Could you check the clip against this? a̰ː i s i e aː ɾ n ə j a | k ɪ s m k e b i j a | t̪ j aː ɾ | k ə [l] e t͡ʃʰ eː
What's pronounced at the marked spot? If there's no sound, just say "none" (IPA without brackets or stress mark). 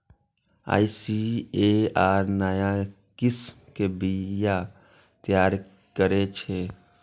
ɾ